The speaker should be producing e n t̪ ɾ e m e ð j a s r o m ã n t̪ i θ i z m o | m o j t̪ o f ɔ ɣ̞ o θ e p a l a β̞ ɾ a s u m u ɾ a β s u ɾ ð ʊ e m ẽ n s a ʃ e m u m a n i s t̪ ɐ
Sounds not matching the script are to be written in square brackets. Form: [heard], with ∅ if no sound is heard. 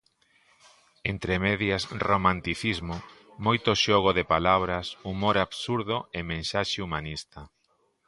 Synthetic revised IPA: e n t̪ ɾ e m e ð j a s r o m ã n t̪ i θ i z m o | m o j t̪ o [ʃ] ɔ ɣ̞ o [ð] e p a l a β̞ ɾ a s u m [o] ɾ a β s u ɾ ð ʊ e m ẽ n s a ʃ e [∅] u m a n i s t̪ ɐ